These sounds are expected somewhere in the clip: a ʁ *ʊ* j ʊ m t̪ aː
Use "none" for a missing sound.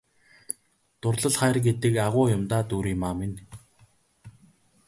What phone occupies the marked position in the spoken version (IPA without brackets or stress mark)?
ʊː